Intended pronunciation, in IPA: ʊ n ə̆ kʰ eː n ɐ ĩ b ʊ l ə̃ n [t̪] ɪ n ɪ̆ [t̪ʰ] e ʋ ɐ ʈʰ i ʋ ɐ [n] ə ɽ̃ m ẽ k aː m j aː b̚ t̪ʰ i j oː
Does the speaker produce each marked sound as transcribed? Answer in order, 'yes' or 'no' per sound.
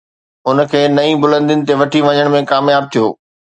no, no, no

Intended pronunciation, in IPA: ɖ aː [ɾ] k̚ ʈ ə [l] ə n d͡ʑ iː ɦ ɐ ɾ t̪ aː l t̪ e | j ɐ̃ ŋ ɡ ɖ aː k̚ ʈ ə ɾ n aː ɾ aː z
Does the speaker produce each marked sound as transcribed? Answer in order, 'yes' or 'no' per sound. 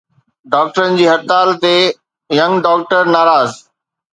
no, no

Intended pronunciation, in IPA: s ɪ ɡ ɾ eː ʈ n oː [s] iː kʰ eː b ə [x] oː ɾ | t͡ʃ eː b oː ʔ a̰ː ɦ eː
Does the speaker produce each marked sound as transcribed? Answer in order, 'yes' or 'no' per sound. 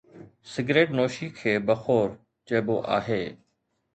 no, yes

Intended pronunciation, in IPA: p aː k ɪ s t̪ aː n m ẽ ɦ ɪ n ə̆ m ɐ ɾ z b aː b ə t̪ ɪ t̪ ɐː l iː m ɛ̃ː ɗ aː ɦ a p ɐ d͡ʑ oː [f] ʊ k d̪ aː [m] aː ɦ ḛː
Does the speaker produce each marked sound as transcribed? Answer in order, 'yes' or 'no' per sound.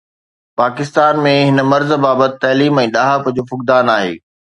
yes, no

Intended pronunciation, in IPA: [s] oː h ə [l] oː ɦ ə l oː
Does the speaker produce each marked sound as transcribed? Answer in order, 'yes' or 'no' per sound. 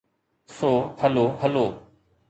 yes, yes

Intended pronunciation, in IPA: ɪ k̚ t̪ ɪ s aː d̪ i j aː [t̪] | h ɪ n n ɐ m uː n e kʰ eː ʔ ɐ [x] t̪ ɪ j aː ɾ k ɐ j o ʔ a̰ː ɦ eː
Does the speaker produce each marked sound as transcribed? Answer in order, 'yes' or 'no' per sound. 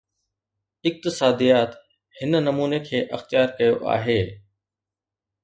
yes, yes

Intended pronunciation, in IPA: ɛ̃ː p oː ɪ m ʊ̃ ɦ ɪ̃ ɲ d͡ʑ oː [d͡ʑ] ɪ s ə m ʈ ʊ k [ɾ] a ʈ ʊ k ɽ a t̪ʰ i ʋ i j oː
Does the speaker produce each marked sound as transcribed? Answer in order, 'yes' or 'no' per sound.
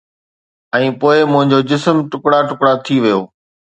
yes, no

